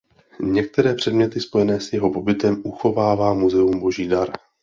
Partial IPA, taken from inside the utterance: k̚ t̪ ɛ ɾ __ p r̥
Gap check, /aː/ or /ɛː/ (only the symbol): ɛː